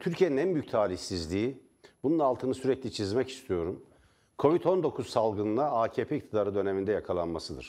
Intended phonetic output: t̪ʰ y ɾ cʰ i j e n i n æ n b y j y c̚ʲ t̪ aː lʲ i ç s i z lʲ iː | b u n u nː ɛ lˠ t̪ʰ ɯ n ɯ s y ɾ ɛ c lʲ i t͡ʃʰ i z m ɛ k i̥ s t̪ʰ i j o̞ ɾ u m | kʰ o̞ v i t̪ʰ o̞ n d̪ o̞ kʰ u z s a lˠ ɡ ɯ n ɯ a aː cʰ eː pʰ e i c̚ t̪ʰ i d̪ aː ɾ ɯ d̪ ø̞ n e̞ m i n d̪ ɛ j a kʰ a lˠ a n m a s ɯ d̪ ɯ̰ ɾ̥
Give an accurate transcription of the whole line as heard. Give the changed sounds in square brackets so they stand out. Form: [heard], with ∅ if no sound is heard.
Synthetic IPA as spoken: t̪ʰ y ɾ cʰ i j e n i n æ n b y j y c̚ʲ [t̪ʰ] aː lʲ i ç s i z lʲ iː | b u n u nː [a] lˠ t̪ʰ ɯ n ɯ s y ɾ ɛ c lʲ i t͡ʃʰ i z m ɛ [c] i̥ s t̪ʰ i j o̞ ɾ u m | kʰ o̞ v i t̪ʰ o̞ n d̪ o̞ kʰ u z s a lˠ ɡ ɯ n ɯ a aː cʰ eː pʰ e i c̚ t̪ʰ i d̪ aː ɾ ɯ d̪ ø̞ n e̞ m i n d̪ ɛ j a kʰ a lˠ a n m a s ɯ d̪ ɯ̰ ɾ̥